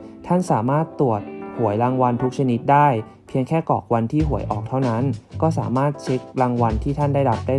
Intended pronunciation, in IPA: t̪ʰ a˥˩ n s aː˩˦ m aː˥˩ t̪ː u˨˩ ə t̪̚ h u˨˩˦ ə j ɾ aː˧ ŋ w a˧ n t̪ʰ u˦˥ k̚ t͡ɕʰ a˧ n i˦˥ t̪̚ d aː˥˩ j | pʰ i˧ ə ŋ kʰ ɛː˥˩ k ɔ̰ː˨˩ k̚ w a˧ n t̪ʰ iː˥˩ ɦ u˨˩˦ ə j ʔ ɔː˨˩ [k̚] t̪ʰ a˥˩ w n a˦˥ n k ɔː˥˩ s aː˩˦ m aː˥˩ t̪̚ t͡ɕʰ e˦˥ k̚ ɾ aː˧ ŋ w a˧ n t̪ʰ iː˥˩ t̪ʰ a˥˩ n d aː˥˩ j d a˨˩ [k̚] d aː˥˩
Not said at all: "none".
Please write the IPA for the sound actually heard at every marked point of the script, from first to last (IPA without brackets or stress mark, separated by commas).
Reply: k̚, p̚